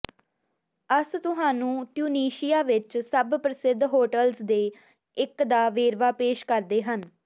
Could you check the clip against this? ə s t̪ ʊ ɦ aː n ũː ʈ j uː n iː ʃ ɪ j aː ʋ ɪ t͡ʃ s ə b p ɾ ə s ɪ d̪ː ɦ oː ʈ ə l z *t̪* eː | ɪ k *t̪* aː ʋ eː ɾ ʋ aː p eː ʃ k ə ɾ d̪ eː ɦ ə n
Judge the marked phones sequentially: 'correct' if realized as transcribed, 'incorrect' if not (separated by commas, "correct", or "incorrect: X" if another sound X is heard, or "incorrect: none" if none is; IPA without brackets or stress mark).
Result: incorrect: d̪, incorrect: d̪